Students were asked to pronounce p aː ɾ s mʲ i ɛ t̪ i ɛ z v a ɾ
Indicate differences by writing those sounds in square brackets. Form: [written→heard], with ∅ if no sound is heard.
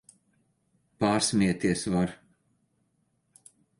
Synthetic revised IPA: p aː ɾ s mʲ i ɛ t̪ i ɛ [z→s] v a ɾ